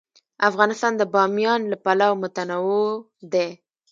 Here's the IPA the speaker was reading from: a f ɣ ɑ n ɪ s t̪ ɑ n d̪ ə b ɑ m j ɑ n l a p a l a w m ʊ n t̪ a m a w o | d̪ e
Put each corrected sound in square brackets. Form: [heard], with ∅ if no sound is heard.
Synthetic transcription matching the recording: a f ɣ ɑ n ɪ s t̪ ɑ n d̪ ə b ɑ m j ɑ n l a p a l a w m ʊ [∅] t̪ a [n] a w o | d̪ e